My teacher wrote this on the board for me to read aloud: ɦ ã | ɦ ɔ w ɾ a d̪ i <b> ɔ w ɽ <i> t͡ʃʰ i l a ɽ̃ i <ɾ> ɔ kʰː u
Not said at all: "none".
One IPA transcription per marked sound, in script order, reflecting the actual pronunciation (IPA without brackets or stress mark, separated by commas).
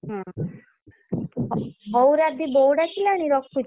b, a, ɾ